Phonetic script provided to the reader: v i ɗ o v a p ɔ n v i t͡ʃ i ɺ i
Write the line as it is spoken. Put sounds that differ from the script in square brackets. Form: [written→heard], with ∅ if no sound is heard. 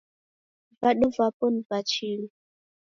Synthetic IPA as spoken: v [i→a] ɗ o v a p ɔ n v [i→a] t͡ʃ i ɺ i